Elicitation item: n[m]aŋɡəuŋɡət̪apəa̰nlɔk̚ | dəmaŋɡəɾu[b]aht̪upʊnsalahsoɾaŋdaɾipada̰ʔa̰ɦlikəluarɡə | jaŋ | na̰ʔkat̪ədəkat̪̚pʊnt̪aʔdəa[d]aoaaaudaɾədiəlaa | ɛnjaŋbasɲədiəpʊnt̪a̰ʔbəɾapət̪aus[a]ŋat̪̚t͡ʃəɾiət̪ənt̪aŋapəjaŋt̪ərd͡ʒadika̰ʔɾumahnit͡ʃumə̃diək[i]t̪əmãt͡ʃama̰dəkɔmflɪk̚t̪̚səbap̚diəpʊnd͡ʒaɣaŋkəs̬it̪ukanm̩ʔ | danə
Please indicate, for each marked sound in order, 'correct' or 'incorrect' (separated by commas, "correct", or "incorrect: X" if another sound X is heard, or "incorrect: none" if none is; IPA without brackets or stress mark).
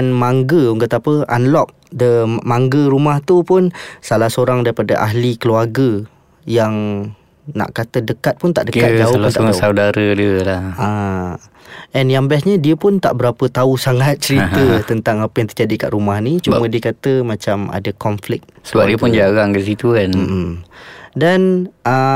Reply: correct, incorrect: m, incorrect: d͡ʒ, correct, incorrect: a